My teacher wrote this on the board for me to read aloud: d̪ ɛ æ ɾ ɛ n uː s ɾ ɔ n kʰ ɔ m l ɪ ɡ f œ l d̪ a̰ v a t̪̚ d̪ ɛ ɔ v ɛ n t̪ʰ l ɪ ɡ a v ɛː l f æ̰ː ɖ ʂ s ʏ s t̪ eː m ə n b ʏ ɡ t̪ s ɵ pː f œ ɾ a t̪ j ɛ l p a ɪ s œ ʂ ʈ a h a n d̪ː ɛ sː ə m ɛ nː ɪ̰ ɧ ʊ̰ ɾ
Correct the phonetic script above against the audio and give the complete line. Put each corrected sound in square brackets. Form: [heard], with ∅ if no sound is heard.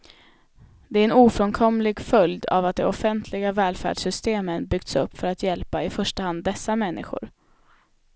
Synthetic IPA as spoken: d̪ ɛ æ ɾ ɛ n uː [f] ɾ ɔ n kʰ ɔ m l ɪ ɡ f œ l d̪ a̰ v a t̪̚ d̪ ɛ ɔ [f] ɛ n t̪ʰ l ɪ ɡ a v ɛː l f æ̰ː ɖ ʂ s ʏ s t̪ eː m ə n b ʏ ɡ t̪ s ɵ pː f œ ɾ a t̪ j ɛ l p a ɪ [f] œ ʂ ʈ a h a n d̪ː ɛ sː [a] m ɛ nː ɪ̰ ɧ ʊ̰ ɾ

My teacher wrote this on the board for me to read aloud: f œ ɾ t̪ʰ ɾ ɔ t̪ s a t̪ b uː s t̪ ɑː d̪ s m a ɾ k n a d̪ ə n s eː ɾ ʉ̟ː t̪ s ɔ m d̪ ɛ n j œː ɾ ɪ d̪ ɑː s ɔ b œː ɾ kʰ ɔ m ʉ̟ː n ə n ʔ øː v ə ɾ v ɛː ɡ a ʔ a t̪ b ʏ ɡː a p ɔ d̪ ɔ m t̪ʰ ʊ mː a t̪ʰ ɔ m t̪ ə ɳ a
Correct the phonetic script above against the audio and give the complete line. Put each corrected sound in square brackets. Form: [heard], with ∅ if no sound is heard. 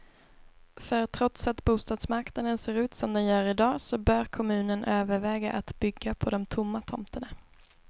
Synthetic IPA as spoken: f œ ɾ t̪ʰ ɾ ɔ t̪ s a t̪ b uː s t̪ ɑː d̪ s m a ɾ k n a d̪ ə n s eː ɾ ʉ̟ː t̪ s ɔ m d̪ ɛ n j œː ɾ ɪ d̪ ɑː s ɔ b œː ɾ kʰ ɔ m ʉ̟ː n ə n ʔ øː v ə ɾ v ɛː ɡ a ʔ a t̪ b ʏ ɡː a [pʰ] ɔ d̪ ɔ m t̪ʰ ʊ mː a t̪ʰ ɔ m t̪ ə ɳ a

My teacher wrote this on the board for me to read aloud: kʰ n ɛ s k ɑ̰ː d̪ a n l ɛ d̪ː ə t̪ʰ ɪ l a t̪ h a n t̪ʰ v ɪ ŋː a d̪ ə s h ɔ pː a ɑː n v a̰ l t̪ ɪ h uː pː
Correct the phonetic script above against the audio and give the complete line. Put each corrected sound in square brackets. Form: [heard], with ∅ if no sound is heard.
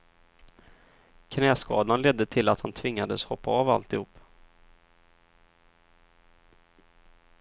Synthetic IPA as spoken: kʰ n [ɛː] s k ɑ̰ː d̪ a n l ɛ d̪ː ə t̪ʰ ɪ l a t̪ h a n t̪ʰ v ɪ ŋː a d̪ ə s h ɔ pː a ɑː [∅] v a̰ l t̪ ɪ h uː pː

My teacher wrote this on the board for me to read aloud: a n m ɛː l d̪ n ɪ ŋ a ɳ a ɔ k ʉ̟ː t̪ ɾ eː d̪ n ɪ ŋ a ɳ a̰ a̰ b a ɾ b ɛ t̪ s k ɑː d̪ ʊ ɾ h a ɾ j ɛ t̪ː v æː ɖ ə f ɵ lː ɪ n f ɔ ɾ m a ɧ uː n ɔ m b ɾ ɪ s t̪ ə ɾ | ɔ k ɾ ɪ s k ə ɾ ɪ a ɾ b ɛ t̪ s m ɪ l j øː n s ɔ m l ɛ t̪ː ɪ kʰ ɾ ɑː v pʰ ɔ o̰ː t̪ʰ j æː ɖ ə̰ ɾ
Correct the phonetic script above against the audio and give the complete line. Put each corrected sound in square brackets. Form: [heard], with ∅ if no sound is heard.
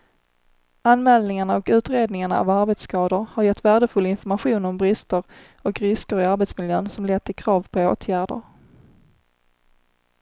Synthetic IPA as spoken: a n m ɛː l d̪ n ɪ ŋ a ɳ a ɔ k ʉ̟ː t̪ ɾ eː d̪ n ɪ ŋ a ɳ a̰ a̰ [v] a ɾ b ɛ t̪ s k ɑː d̪ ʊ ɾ h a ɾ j ɛ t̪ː v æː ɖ ə f ɵ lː ɪ n f ɔ ɾ m a ɧ uː n ɔ m b ɾ ɪ s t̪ ə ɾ | ɔ k ɾ ɪ s k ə ɾ ɪ a ɾ b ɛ t̪ s m ɪ l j øː n s ɔ m l ɛ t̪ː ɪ kʰ ɾ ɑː v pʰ ɔ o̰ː t̪ʰ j æː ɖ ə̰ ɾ

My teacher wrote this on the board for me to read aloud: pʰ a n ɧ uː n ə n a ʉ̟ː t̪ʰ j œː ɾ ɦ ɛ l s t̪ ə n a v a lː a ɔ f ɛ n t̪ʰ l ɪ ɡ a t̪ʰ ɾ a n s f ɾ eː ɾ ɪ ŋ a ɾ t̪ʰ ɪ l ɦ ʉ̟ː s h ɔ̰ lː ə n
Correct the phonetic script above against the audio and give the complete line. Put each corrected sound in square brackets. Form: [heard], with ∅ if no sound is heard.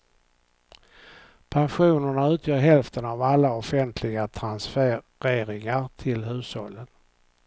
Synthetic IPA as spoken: pʰ a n ɧ uː n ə [ɳ] a ʉ̟ː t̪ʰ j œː ɾ ɦ ɛ l [f] t̪ ə n a v a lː a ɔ f ɛ n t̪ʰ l ɪ ɡ a t̪ʰ ɾ a n s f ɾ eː ɾ ɪ ŋ a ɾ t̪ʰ ɪ l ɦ ʉ̟ː s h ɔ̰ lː ə n

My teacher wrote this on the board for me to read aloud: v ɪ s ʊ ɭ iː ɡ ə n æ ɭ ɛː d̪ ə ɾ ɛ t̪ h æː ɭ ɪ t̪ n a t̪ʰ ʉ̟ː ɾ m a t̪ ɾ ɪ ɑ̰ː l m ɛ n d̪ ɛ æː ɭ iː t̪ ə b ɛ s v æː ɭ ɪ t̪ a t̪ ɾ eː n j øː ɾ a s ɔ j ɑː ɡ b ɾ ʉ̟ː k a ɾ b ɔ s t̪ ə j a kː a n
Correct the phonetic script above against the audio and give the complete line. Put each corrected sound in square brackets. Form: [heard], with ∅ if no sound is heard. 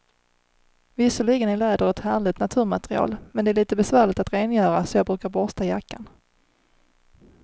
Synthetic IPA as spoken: v ɪ s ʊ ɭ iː ɡ ə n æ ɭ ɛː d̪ ə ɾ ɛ t̪ h æː ɭ ɪ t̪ n a t̪ʰ ʉ̟ː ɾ m a t̪ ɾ ɪ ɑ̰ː l m ɛ n d̪ ɛ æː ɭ iː t̪ ə b ɛ s v æː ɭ ɪ t̪ a t̪ ɾ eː n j [œː] ɾ a s ɔ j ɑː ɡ b ɾ ʉ̟ː k a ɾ b ɔ s t̪ [a] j a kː a n

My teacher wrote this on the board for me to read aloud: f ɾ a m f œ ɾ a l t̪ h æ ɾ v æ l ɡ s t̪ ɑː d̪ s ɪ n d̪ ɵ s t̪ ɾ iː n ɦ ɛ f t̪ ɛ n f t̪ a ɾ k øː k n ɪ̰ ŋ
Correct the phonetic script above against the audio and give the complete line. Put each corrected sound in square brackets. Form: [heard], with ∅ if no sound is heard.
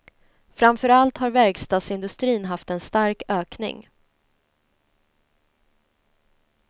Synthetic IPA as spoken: f ɾ a m f œ ɾ a l t̪ h [a] ɾ v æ [ɾ] ɡ s t̪ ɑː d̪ s ɪ n d̪ ɵ s t̪ ɾ iː n ɦ [a] f t̪ ɛ n [s] t̪ a ɾ k øː k n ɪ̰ ŋ

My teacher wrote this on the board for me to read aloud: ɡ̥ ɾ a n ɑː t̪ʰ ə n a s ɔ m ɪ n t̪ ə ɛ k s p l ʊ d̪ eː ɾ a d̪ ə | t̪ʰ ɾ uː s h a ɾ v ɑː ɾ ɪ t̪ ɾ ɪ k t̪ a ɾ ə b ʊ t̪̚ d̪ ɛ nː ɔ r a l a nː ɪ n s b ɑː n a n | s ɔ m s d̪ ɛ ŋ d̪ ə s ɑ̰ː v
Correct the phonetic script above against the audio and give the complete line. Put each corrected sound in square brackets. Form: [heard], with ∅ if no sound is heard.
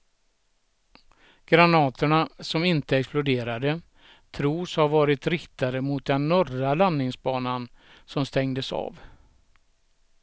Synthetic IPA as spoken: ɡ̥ ɾ a n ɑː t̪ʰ ə [ɳ] a s ɔ m ɪ n t̪ ə ɛ k s p l ʊ d̪ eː ɾ a d̪ ə | t̪ʰ ɾ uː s h a ɾ v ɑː ɾ ɪ t̪ ɾ ɪ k t̪ a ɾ ə [m] ʊ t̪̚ d̪ ɛ nː ɔ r a l a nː ɪ [ŋ] s b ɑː n a n | s ɔ m s [t̪] ɛ ŋ d̪ ə s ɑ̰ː v

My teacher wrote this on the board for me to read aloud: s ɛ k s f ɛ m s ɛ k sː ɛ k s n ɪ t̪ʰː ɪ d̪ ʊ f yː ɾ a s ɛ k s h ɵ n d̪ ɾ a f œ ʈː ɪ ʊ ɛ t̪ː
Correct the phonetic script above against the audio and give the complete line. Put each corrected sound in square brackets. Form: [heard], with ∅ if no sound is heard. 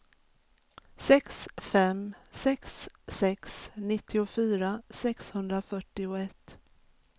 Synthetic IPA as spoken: s ɛ k s f ɛ m s ɛ k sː ɛ k s n ɪ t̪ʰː ɪ [∅] ʊ f yː ɾ a s ɛ k s h ɵ n d̪ ɾ a f œ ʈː ɪ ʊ ɛ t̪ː

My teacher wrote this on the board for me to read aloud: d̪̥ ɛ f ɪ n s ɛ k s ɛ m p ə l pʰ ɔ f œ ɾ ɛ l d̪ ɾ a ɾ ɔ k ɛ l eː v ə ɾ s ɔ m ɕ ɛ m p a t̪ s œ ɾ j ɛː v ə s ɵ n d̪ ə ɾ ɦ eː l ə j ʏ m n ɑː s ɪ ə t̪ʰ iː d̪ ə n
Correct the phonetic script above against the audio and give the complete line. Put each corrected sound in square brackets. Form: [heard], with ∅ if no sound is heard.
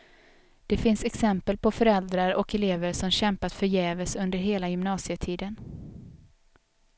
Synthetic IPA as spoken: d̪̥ ɛ f ɪ n s ɛ k s ɛ m p ə l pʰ ɔ f œ ɾ ɛ l d̪ ɾ a ɾ ɔ k ɛ l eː v ə ɾ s ɔ m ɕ ɛ m p a t̪ [f] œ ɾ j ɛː v ə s ɵ n d̪ ə ɾ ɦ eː l [a] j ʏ m n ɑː s ɪ ə t̪ʰ iː d̪ ə n

